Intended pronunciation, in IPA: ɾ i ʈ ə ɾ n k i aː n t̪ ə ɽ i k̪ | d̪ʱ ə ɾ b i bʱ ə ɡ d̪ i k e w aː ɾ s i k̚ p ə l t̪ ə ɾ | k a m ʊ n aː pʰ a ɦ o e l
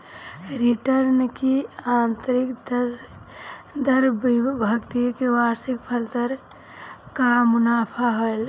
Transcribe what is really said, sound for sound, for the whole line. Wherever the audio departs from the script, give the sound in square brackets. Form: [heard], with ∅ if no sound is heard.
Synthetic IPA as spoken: ɾ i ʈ ə ɾ n k i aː n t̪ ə [ɾ] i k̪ | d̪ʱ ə ɾ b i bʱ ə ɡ [t̪] i k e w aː ɾ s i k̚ [pʰ] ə l t̪ ə ɾ | k a m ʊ n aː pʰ a ɦ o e l